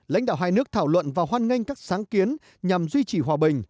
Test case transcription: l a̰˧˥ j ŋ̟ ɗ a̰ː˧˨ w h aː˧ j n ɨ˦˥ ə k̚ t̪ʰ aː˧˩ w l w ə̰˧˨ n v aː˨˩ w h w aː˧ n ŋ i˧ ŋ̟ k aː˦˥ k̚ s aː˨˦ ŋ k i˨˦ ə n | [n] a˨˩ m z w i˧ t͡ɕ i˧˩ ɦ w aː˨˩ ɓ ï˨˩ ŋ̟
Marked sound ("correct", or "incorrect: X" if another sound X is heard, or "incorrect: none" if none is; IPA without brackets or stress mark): incorrect: ɲ